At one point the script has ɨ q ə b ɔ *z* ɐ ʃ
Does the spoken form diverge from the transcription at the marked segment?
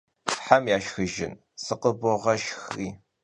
yes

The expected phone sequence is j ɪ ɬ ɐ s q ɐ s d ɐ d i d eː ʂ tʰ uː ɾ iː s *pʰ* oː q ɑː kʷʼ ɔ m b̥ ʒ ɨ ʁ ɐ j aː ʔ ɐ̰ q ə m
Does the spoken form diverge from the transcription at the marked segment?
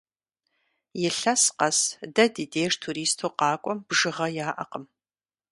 yes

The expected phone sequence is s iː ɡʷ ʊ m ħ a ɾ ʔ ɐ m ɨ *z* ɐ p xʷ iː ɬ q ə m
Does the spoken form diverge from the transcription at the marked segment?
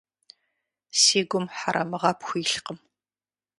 yes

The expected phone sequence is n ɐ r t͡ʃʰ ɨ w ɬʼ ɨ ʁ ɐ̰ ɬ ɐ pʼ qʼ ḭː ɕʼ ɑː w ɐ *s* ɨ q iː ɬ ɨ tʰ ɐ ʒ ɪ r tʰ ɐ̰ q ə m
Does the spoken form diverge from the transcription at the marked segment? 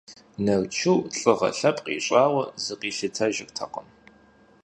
yes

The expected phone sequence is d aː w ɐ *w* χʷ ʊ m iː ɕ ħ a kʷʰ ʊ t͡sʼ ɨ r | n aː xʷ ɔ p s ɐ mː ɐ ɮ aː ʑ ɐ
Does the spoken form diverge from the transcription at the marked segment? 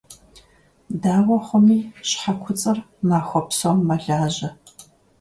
yes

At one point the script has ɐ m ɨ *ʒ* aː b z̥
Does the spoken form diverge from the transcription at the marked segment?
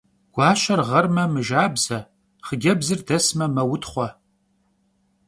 no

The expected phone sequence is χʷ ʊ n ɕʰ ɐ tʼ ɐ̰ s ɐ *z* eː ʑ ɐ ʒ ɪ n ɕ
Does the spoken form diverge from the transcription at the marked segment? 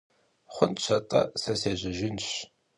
yes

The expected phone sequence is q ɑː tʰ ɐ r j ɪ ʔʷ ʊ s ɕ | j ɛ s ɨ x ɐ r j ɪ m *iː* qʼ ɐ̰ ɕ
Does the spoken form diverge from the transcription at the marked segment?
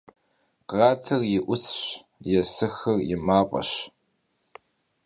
yes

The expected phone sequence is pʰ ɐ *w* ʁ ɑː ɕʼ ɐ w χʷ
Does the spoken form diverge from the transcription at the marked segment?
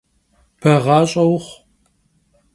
yes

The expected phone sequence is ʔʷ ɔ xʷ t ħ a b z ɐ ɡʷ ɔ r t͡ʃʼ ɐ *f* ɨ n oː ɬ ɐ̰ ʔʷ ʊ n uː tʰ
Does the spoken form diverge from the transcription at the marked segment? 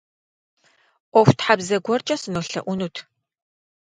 yes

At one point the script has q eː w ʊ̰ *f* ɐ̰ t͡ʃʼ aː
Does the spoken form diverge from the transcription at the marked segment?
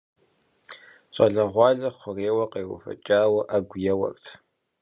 no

